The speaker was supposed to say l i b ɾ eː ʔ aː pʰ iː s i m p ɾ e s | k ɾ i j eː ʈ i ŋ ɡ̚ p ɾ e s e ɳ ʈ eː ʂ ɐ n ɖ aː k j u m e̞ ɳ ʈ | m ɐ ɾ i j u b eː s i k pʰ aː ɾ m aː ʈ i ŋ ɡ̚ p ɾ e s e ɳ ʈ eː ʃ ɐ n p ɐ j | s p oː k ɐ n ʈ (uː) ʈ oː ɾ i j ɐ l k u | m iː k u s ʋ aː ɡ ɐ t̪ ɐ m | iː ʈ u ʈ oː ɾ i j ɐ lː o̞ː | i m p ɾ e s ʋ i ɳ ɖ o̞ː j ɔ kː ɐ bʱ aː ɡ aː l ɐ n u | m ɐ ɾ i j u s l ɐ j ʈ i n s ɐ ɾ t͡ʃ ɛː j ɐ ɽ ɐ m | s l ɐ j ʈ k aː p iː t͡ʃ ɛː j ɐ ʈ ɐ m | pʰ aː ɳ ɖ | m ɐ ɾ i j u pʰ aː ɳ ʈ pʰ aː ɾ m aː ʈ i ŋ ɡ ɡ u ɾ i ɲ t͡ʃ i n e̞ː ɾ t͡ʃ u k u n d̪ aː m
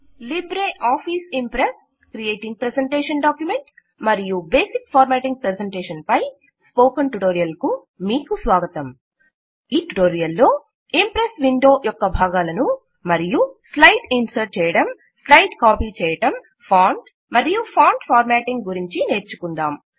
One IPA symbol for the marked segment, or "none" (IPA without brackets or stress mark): u